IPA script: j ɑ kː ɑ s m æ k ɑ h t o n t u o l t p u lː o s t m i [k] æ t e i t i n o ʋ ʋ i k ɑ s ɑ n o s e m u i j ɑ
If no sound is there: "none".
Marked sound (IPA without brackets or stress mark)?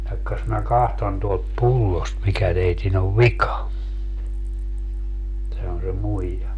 k